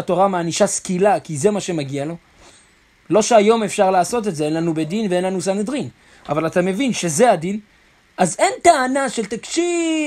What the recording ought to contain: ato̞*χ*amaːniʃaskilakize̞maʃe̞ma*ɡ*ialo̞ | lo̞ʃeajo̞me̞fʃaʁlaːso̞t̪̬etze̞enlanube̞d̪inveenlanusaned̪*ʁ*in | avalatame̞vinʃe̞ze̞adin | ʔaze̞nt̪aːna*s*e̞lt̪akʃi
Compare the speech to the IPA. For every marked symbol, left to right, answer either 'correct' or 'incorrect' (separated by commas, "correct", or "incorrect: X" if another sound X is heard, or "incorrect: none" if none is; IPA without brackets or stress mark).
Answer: incorrect: ʁ, correct, correct, incorrect: ʃ